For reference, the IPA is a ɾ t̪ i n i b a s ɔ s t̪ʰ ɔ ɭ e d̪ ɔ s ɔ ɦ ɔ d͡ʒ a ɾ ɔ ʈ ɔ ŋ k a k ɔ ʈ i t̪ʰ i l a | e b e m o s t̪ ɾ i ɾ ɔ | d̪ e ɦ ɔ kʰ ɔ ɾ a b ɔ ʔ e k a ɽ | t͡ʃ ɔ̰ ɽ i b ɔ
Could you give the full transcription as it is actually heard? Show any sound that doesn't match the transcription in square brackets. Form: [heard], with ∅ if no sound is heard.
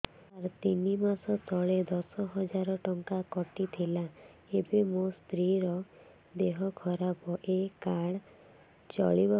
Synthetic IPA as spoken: a ɾ t̪ i n i [m] a s ɔ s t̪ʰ ɔ ɭ e d̪ ɔ s ɔ ɦ ɔ d͡ʒ a ɾ ɔ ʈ ɔ ŋ k a k ɔ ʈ i t̪ʰ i l a | e b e m o s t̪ ɾ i ɾ ɔ | d̪ e ɦ ɔ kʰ ɔ ɾ a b ɔ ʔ e k a ɽ | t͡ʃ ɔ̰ [ɭ] i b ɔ